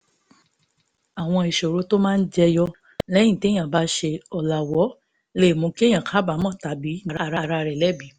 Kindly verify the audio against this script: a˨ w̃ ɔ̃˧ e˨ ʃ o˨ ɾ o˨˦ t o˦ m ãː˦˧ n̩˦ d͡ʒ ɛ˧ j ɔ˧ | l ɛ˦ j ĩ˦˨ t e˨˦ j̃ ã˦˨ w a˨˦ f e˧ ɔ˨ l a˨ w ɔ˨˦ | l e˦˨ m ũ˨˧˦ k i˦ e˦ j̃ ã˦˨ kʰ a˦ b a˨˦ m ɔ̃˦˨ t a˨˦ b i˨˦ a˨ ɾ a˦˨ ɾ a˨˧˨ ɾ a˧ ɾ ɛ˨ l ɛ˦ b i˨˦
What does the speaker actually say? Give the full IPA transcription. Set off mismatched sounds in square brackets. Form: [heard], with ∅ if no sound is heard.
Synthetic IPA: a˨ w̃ ɔ̃˧ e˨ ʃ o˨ ɾ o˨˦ t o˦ m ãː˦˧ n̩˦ d͡ʒ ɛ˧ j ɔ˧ | l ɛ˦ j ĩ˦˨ t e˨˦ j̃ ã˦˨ [b] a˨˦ [ʃ] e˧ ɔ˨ l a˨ w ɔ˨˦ | l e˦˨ m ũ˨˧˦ k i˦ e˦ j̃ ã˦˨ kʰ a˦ b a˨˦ m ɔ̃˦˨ t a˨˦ b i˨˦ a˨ ɾ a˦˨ ɾ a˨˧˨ ɾ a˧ ɾ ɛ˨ l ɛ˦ b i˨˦